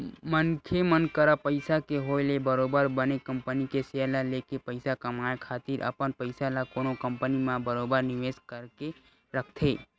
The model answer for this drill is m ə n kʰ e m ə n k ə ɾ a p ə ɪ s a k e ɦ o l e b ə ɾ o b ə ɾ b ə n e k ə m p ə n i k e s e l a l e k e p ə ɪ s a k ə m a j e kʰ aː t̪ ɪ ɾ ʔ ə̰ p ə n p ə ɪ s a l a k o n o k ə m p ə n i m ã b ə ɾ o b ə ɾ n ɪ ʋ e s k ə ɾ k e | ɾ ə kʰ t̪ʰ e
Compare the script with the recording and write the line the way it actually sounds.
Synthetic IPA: m ə n kʰ e m ə n k ə ɾ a p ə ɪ s a k e ɦ o l e b ə ɾ o b ə ɾ b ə n e k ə m p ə n i k e s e l a l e k e p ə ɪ s a k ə m a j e kʰ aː t̪ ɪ ɾ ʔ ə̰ p ə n p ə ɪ s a l a k o n o k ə m p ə n i m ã b ə ɾ o b ə ɾ n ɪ ʋ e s k ə ɾ k e | ɾ ə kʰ t̪ʰ e

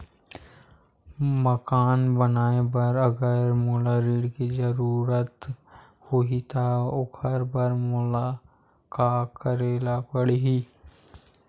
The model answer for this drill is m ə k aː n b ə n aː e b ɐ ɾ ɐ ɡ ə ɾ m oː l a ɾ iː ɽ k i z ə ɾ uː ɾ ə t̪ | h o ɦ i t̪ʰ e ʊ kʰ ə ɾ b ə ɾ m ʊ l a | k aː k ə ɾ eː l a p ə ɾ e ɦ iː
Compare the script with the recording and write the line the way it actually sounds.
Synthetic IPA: m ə k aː n b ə n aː e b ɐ ɾ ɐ ɡ ə ɾ m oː l a ɾ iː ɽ k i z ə ɾ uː ɾ ə t̪ | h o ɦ i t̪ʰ a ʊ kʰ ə ɾ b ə ɾ m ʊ l a | k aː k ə ɾ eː l a p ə ɽ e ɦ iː

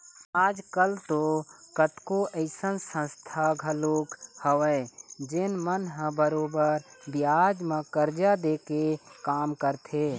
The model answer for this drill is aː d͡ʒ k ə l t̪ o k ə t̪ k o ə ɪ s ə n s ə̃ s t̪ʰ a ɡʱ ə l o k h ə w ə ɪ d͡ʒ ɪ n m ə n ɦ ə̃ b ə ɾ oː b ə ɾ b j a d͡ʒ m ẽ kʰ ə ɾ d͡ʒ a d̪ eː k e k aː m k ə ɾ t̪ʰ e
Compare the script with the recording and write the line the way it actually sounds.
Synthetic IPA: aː d͡ʒ k ə l t̪ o k ə t̪ k o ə ɪ s ə n s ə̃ s t̪ʰ a ɡʱ ə l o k h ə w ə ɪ d͡ʒ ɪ n m ə n ɦ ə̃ b ə ɾ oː b ə ɾ b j a d͡ʒ m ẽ k ə ɾ d͡ʒ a d̪ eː k e k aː m k ə ɾ t̪ʰ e

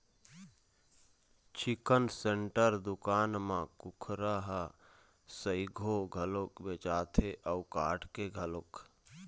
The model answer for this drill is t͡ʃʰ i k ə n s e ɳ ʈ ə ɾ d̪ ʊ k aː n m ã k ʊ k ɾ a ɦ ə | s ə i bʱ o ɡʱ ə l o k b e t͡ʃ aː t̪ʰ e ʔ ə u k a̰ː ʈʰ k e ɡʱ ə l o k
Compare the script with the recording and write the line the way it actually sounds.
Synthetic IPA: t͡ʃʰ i k ə n s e ɳ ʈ ə ɾ d̪ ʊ k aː n m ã k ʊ kʰ ɾ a ɦ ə | s ə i ɡʱ o ɡʱ ə l o k b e t͡ʃ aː t̪ʰ e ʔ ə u k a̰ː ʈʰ k e ɡʱ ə l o k

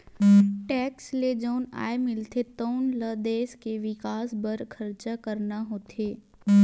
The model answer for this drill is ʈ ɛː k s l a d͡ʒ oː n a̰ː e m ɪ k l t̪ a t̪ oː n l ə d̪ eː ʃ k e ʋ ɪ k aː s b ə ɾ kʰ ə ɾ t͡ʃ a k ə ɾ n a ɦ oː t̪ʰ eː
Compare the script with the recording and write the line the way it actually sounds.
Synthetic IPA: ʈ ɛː k s l e d͡ʒ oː n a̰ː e m ɪ l t̪ e t̪ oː n l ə d̪ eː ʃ k e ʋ ɪ k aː s b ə ɾ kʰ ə ɾ t͡ʃ a k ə ɾ n a ɦ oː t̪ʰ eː

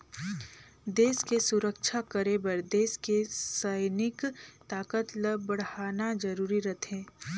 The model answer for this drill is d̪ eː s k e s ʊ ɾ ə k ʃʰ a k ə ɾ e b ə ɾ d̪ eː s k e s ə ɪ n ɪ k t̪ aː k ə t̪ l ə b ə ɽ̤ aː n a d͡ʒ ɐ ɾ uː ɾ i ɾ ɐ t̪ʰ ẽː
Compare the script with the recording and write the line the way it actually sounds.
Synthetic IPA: d̪ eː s k e s ʊ ɾ ə k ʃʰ a k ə ɾ e b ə ɾ d̪ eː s k e s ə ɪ n ɪ k t̪ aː k ə t̪ l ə b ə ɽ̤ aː n a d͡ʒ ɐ ɾ uː ɾ i ɾ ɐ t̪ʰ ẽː

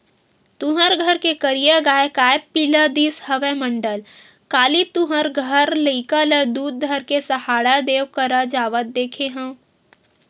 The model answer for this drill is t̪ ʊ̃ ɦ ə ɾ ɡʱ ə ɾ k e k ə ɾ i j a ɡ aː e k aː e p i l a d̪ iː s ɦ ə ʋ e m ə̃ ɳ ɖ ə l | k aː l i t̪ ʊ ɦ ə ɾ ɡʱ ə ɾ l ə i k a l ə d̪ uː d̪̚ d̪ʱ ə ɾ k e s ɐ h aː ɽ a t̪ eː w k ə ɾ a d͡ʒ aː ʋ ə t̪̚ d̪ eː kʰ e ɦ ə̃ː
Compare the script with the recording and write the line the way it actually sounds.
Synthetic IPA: t̪ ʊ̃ ɦ ə ɾ ɡʱ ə ɾ k e k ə ɾ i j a ɡ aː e k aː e p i l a d̪ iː s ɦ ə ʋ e m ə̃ ɳ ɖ ə l | k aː l i t̪ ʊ ɦ ə ɾ ɡʱ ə ɾ l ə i k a l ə d̪ uː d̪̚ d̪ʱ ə ɾ k e s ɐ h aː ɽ a d̪ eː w k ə ɾ a d͡ʒ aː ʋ ə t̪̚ d̪ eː kʰ e ɦ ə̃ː

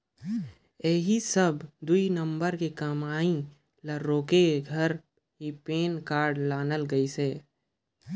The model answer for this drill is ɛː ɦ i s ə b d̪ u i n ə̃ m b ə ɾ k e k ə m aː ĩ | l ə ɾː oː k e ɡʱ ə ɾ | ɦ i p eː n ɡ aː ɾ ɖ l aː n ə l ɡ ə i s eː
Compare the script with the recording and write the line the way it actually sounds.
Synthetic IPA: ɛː ɦ i s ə b d̪ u i n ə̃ m b ə ɾ k e k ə m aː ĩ | l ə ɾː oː k e ɡʱ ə ɾ | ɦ i p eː n k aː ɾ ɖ l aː n ə l ɡ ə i s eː

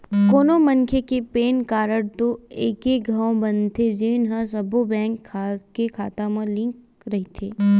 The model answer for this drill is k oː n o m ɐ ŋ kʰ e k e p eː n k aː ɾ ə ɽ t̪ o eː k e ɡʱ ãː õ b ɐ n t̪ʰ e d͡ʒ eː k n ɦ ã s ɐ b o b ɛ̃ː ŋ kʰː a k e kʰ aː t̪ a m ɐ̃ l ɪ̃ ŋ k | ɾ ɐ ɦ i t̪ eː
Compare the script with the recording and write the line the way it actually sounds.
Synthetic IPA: k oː n o m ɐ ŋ kʰ e k e p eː n k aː ɾ ə ɽ t̪ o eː k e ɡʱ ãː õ b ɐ n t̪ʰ e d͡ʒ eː n ɦ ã s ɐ b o b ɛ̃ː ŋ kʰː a k e kʰ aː t̪ a m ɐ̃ l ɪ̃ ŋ k | ɾ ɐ ɦ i t̪ʰ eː

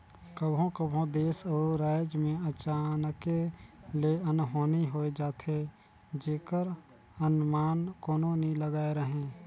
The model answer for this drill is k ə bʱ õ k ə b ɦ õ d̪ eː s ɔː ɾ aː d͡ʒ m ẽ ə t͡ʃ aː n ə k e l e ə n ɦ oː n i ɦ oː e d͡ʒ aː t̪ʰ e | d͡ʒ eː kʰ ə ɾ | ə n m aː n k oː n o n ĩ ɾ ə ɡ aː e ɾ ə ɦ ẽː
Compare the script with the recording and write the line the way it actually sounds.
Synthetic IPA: k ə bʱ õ k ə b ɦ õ d̪ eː s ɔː ɾ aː d͡ʒ m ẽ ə t͡ʃ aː n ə k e l e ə n ɦ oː n i ɦ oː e d͡ʒ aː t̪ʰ e | d͡ʒ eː k ə ɾ | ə n m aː n k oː n o n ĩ l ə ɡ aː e ɾ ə ɦ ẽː

